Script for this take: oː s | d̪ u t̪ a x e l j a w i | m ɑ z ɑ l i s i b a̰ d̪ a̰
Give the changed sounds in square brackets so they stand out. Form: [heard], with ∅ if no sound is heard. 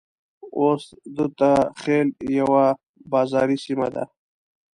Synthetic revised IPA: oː s | d̪ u t̪ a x e l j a w [a] | [b] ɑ z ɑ [ɾ] i s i [m] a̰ d̪ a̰